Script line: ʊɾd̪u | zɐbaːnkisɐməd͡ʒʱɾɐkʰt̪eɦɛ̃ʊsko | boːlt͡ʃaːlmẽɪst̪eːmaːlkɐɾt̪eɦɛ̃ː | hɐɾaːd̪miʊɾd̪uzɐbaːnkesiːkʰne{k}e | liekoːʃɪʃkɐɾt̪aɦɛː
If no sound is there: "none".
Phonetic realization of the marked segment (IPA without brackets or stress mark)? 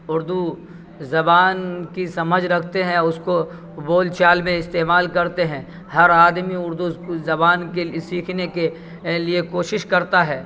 k